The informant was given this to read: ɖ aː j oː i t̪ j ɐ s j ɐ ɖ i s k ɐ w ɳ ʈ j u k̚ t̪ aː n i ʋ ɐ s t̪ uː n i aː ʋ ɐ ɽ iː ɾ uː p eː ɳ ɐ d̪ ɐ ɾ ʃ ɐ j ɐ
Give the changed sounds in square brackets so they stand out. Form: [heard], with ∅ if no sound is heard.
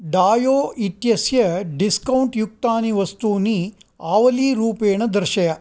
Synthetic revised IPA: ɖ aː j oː i t̪ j ɐ s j ɐ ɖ i s k ɐ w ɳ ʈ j u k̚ t̪ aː n i ʋ ɐ s t̪ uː n i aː ʋ ɐ [l] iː ɾ uː p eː ɳ ɐ d̪ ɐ ɾ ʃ ɐ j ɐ